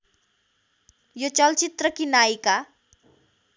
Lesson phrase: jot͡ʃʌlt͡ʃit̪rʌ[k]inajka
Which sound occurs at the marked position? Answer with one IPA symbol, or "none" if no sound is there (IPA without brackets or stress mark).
k